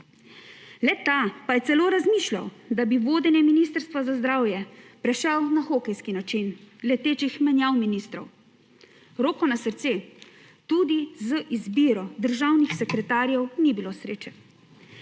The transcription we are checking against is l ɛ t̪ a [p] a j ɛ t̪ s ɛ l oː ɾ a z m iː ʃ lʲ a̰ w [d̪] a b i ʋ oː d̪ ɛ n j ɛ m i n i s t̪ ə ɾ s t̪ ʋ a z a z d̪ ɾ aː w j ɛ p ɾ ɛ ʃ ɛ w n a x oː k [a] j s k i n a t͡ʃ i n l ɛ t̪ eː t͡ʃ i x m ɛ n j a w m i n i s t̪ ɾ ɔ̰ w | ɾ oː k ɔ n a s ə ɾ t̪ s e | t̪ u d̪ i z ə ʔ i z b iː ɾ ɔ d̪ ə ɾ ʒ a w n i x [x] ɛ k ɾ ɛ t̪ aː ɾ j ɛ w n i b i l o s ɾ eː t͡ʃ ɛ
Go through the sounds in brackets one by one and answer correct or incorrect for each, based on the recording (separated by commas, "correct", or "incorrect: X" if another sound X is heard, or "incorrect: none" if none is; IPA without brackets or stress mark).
correct, correct, incorrect: ɛ, incorrect: s